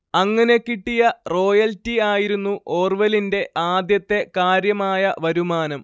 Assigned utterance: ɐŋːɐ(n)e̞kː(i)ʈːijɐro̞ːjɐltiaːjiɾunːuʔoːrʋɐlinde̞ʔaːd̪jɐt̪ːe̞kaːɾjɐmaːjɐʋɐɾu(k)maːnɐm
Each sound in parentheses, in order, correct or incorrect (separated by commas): correct, correct, incorrect